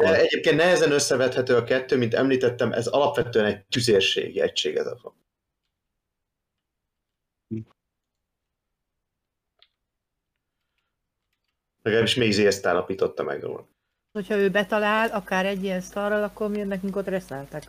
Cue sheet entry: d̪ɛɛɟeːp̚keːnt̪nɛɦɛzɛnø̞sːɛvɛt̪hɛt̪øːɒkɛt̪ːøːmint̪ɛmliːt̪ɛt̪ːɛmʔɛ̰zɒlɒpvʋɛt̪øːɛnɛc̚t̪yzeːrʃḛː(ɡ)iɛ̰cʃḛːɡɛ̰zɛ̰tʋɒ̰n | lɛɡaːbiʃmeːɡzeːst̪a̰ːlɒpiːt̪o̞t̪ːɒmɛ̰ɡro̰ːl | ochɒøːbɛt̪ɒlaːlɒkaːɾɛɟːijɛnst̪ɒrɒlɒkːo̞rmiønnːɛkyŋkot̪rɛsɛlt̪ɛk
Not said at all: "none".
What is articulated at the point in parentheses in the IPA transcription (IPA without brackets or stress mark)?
ɡ